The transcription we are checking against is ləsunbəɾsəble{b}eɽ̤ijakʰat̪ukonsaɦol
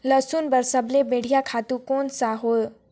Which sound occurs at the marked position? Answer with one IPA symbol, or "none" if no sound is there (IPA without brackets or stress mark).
b